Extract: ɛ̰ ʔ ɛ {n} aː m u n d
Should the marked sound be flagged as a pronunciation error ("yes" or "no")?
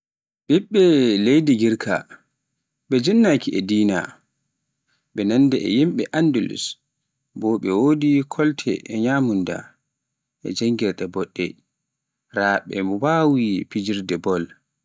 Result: yes